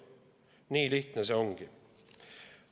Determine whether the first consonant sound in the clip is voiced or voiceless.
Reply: voiced